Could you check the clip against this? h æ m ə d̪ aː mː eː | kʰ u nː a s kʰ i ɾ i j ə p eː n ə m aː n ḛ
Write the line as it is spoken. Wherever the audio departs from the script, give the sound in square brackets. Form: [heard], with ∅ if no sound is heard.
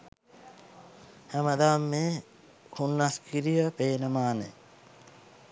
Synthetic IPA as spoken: h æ m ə d̪ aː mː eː | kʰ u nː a s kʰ i ɾ i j ə p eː n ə m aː n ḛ

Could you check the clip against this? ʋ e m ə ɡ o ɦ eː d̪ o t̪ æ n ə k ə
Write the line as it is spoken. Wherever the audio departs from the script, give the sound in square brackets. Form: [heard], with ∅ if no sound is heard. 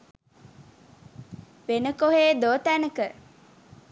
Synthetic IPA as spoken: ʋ e [n] ə [k] o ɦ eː d̪ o t̪ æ n ə k ə

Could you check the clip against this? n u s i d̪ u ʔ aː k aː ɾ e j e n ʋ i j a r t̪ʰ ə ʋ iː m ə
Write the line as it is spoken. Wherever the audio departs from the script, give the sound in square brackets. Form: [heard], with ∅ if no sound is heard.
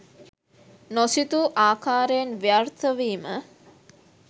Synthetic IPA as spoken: n [o] s i [t̪] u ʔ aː k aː ɾ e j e n ʋ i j a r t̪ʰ ə ʋ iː m ə

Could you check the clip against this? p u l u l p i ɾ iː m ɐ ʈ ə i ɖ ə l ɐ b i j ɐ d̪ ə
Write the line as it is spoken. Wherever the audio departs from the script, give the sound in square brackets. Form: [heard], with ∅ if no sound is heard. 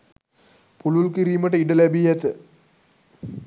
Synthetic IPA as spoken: p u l u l [k] i ɾ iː m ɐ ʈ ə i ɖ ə l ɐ b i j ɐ [t̪] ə

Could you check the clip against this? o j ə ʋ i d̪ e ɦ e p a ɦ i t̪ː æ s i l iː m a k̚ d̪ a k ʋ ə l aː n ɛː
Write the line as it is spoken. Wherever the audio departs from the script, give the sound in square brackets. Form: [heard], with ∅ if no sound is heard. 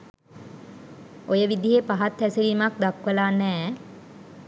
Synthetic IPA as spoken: o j ə ʋ i d̪ [i] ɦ e p a ɦ [a] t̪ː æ s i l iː m a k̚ d̪ a k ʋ ə l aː n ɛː

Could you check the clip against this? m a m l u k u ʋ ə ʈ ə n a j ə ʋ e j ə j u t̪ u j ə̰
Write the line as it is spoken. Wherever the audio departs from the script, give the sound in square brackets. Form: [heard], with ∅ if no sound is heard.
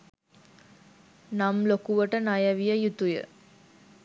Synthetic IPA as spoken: [n] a m l [o] k u ʋ ə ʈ ə n a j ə ʋ [i] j ə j u t̪ u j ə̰

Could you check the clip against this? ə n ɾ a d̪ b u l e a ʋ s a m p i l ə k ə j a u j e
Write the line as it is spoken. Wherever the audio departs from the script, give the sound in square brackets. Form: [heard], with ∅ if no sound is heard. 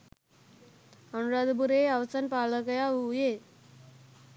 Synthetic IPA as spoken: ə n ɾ a d̪ b u [ɾ] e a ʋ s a [n] p [a] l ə k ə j a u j e

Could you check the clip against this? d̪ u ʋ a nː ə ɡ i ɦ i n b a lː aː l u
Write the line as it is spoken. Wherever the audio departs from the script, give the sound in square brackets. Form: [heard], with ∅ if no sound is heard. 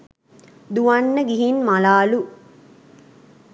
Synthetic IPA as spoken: d̪ u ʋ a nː ə ɡ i ɦ i n [m] a [l] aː l u

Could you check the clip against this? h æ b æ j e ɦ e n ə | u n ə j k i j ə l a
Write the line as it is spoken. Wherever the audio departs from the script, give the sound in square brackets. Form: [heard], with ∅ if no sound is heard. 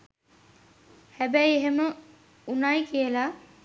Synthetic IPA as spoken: h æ b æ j e ɦ e [m] ə | u n [a] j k i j ə l a

